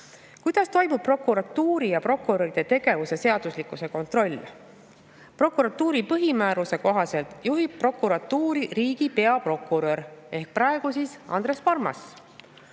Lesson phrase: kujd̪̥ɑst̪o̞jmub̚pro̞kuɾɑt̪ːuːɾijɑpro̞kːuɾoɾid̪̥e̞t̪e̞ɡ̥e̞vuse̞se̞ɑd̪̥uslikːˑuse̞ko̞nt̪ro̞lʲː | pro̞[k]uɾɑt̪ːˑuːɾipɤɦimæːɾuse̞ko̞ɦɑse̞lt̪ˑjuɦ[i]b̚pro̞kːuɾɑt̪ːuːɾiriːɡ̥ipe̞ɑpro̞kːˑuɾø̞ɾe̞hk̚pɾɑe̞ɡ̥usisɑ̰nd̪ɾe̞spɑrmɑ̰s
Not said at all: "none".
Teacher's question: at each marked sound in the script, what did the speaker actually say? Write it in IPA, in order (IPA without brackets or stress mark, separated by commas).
k, i